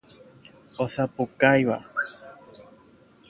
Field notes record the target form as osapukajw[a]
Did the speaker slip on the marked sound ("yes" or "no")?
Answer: no